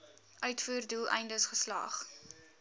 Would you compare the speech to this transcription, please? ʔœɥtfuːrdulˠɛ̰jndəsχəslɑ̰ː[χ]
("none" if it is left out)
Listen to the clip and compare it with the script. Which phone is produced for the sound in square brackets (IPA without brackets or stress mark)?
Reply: χ